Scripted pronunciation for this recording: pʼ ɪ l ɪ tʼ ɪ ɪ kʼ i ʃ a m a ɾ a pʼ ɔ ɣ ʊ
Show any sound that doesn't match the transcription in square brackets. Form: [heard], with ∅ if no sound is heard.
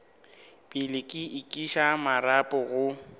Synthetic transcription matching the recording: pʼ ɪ l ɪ [kʼ] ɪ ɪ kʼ i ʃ a m a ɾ a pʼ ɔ ɣ ʊ